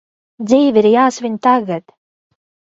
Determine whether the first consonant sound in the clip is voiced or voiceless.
voiced